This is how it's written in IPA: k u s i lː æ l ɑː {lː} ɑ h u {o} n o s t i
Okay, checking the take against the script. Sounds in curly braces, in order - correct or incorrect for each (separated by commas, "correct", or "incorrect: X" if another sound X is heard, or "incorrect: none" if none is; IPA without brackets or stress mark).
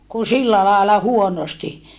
incorrect: l, correct